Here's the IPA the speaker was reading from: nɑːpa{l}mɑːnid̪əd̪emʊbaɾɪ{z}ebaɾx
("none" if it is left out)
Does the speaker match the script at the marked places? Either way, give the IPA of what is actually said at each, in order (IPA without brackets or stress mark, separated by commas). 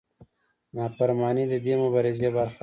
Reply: ɾ, z